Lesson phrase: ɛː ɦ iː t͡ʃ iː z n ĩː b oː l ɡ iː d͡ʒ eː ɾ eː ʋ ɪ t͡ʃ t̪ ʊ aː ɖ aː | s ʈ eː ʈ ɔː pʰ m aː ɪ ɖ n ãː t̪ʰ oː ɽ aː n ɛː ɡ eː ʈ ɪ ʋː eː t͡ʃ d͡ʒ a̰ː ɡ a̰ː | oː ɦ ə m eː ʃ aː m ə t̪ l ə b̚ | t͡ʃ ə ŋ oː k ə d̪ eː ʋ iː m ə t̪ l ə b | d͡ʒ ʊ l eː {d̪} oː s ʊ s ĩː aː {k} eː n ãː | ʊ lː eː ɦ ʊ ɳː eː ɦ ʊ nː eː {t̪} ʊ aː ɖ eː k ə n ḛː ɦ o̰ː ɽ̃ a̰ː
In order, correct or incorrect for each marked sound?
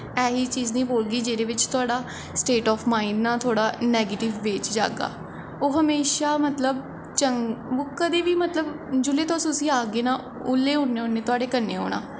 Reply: incorrect: t̪, incorrect: ɡ, correct

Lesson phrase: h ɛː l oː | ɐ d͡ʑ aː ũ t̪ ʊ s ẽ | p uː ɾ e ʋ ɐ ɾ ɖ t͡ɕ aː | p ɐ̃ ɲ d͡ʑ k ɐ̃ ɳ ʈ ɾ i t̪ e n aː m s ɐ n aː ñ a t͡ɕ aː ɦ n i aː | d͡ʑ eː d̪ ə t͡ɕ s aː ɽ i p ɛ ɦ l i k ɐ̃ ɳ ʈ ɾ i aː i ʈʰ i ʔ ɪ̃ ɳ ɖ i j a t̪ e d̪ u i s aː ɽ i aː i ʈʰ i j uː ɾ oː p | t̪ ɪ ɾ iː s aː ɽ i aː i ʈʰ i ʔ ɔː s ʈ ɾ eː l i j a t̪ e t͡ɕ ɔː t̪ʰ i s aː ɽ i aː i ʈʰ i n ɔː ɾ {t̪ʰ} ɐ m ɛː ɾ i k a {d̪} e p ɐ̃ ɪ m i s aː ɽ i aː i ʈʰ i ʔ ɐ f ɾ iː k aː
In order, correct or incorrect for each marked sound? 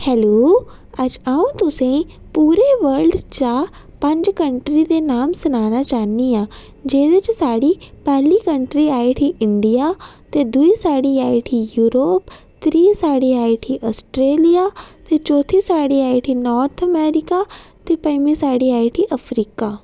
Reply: correct, incorrect: t̪

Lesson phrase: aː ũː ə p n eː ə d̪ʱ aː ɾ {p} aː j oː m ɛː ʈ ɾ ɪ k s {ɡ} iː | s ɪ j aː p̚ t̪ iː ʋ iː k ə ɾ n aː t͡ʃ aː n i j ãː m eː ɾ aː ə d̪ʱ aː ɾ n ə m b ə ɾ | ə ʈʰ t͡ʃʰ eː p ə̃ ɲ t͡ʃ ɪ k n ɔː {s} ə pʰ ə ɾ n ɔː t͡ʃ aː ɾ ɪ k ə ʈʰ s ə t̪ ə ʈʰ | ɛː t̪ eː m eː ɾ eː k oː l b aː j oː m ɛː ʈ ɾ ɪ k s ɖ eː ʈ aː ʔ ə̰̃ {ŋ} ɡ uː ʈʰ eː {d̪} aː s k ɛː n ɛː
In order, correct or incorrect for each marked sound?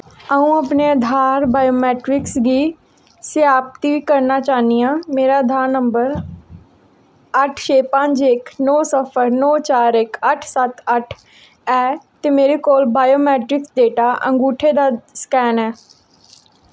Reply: incorrect: b, correct, correct, correct, correct

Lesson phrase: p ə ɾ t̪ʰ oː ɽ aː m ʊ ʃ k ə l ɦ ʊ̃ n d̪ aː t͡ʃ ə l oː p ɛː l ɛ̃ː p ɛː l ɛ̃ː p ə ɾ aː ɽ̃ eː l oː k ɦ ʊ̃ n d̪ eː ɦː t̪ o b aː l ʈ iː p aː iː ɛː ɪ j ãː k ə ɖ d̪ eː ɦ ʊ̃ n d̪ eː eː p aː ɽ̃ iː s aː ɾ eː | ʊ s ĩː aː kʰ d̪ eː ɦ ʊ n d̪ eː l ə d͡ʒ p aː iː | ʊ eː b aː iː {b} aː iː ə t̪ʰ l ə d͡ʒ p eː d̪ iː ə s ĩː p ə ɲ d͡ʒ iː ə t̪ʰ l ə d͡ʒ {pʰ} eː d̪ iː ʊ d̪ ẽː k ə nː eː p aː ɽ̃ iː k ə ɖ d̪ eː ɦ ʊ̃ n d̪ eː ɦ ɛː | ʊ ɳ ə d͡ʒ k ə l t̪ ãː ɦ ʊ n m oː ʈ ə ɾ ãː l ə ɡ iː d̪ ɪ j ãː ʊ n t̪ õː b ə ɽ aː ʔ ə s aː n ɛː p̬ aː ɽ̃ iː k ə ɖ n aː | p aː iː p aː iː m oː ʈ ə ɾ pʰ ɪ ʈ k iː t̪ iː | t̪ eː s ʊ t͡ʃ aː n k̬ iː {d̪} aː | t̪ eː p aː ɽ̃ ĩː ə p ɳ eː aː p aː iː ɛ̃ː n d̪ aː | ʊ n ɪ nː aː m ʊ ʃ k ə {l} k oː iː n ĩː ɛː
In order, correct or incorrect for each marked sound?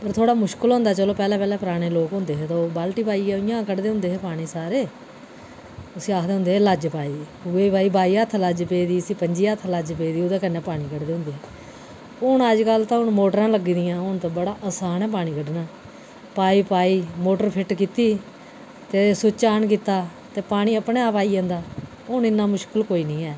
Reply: correct, incorrect: p, incorrect: t̪, correct

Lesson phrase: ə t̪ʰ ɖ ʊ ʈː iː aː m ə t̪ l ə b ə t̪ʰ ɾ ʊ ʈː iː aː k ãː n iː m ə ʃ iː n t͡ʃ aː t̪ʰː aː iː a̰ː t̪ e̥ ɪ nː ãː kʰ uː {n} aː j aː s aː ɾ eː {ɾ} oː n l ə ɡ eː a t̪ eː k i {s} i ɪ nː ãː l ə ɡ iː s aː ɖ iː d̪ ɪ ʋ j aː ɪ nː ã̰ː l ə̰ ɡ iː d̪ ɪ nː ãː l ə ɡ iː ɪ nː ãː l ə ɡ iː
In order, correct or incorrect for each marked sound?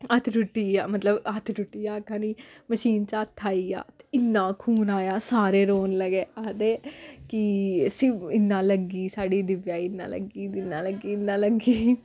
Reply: correct, correct, correct

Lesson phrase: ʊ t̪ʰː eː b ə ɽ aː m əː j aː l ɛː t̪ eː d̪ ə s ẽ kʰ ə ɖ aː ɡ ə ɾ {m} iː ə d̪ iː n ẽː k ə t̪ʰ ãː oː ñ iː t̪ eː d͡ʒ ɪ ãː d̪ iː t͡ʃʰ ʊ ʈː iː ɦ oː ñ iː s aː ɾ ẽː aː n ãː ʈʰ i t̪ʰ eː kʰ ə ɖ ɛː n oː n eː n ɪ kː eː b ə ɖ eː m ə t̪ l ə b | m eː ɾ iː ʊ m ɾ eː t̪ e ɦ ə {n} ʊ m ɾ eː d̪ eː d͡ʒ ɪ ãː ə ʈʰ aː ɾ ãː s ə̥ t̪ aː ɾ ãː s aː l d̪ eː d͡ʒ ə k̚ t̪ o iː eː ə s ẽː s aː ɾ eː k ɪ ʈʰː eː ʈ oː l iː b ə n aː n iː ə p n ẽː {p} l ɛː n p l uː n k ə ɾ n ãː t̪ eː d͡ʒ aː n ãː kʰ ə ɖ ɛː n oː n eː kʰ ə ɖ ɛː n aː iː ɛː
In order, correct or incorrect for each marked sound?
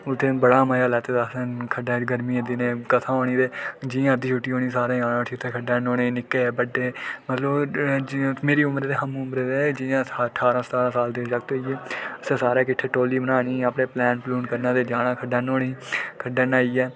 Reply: correct, incorrect: m, correct

